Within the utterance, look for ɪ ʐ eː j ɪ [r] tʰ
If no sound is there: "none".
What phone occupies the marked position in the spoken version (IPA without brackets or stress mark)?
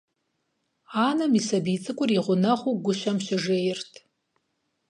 r